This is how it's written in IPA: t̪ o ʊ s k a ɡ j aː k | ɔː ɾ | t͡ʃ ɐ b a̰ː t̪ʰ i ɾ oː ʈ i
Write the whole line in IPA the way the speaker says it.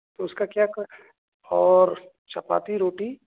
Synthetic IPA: t̪ o ʊ s k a k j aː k | ɔː ɾ | t͡ʃ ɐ p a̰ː t̪ i ɾ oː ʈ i